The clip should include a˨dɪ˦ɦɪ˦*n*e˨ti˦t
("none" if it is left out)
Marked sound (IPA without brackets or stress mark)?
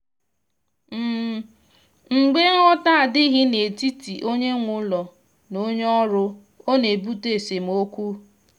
n